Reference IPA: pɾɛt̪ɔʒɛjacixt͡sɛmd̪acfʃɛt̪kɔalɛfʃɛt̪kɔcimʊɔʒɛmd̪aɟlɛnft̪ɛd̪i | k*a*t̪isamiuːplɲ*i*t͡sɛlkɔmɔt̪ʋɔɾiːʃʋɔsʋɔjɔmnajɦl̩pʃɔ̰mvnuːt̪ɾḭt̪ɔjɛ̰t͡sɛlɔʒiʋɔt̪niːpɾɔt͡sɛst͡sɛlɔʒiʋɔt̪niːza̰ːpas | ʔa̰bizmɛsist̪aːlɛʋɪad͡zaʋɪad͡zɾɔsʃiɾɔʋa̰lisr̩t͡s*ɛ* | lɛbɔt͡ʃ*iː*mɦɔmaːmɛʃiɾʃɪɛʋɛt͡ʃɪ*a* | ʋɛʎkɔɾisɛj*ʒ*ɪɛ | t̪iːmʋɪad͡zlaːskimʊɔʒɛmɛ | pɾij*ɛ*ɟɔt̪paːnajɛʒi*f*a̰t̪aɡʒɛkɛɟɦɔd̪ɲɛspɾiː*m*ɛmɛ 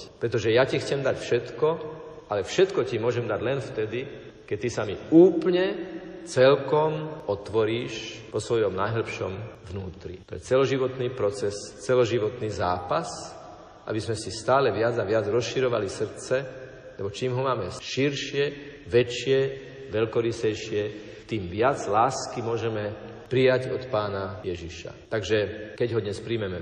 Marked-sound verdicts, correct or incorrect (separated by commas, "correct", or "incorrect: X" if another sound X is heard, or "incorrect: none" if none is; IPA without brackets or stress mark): incorrect: ɛ, incorrect: ɛ, correct, correct, incorrect: ɛ, incorrect: ʃ, incorrect: a, incorrect: ʃ, correct